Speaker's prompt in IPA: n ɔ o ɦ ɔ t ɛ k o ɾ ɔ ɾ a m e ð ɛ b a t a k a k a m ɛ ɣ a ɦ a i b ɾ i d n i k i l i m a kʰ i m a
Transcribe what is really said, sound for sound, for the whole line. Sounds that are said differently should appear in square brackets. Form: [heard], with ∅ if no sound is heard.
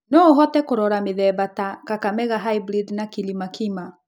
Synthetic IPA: n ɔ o ɦ ɔ t ɛ k o ɾ ɔ ɾ a m e ð ɛ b a t a k a k a m ɛ ɣ a ɦ a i b ɾ i d n [a] k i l i m a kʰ i m a